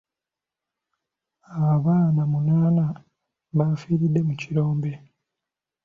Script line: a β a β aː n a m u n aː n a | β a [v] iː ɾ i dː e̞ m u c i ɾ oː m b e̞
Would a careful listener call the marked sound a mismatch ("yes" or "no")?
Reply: yes